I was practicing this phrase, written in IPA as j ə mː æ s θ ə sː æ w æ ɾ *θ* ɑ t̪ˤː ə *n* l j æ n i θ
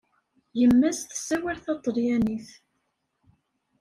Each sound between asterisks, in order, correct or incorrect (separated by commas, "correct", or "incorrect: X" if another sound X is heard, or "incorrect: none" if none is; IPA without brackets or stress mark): correct, incorrect: none